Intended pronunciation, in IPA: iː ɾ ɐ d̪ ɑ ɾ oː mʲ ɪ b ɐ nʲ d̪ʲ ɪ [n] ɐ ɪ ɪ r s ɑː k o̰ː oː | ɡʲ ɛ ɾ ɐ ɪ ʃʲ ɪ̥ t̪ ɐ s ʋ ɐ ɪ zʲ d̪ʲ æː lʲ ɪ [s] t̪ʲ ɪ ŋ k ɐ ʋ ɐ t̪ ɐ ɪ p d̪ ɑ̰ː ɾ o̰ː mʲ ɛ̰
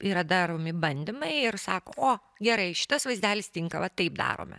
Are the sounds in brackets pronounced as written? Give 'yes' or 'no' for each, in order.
no, yes

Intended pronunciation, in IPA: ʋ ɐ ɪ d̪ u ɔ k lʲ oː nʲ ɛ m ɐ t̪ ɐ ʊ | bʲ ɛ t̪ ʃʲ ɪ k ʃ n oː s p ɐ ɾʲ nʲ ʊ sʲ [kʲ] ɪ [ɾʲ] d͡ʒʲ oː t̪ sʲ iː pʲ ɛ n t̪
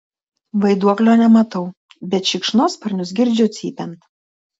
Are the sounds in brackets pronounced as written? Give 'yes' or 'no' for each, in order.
no, yes

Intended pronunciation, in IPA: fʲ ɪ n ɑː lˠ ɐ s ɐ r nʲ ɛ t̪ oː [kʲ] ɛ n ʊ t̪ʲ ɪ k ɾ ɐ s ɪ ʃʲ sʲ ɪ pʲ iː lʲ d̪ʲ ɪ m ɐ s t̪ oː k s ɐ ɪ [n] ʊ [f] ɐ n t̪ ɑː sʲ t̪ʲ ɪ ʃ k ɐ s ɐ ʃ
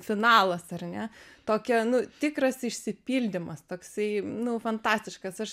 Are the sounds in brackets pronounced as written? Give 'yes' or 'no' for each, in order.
yes, yes, yes

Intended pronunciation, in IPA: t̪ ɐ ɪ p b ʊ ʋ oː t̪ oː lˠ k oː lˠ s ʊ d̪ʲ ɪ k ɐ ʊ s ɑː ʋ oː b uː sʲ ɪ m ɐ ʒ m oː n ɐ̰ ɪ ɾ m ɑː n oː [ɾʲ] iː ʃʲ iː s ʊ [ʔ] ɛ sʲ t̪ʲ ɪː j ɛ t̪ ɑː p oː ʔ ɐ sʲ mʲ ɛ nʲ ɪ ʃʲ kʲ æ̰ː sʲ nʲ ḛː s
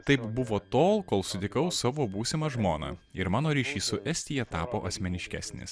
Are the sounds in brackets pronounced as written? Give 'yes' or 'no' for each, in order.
yes, yes

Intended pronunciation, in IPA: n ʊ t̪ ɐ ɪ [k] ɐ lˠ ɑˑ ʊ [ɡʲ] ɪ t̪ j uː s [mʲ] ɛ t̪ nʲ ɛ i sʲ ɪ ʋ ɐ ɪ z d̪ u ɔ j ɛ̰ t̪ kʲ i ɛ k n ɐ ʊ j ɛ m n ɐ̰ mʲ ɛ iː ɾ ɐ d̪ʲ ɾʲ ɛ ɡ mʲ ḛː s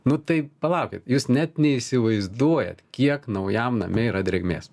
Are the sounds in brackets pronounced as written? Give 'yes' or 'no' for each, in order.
no, no, no

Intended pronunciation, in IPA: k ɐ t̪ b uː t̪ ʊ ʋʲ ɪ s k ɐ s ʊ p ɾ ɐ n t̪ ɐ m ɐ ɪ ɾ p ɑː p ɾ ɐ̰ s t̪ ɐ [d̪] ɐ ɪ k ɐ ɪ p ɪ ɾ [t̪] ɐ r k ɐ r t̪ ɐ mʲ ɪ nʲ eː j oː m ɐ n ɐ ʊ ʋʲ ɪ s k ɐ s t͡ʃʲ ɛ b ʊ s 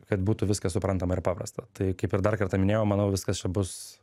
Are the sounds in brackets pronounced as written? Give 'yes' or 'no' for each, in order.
no, no

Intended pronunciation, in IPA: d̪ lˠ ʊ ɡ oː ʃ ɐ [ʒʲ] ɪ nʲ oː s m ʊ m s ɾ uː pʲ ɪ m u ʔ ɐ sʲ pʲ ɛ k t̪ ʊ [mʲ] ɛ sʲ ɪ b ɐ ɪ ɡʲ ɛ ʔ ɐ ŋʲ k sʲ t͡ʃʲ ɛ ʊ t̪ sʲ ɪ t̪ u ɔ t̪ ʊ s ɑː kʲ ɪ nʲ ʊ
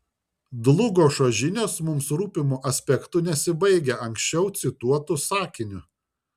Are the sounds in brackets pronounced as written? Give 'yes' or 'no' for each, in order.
yes, no

